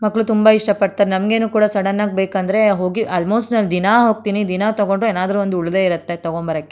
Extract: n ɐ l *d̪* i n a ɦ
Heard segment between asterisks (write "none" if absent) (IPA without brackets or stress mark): d̪